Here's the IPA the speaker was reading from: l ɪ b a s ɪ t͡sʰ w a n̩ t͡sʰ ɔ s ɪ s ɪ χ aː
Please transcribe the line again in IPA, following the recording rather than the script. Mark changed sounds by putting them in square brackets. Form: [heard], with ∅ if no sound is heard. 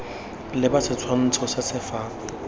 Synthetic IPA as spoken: l ɪ b a s ɪ t͡sʰ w a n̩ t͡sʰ ɔ s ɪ s ɪ [f] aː